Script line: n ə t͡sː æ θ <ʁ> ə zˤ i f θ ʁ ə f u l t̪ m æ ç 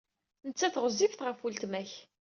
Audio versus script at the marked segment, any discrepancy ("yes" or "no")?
no